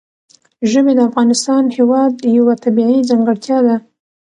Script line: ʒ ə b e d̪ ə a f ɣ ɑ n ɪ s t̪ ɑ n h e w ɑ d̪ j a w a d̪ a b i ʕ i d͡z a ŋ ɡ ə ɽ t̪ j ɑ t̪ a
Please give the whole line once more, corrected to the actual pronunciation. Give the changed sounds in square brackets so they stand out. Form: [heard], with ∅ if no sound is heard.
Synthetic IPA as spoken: ʒ ə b e d̪ ə a f ɣ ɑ n ɪ s t̪ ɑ n h e w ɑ d̪ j a w a [t̪] a b i ʕ i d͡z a ŋ ɡ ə ɽ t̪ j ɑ [d̪] a